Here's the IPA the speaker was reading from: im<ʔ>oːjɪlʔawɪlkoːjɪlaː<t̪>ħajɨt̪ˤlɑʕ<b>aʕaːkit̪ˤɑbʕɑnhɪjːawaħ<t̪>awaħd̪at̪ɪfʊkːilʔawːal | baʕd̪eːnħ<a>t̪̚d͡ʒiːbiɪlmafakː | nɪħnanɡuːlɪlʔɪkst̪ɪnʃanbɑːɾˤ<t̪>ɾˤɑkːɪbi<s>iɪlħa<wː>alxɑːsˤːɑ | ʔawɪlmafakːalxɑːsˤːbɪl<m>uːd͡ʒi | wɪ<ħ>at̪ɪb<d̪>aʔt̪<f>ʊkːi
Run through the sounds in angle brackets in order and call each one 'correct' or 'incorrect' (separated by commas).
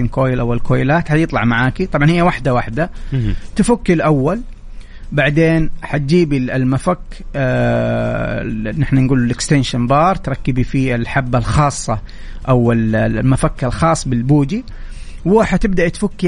incorrect, correct, incorrect, incorrect, correct, correct, incorrect, incorrect, incorrect, correct, correct, correct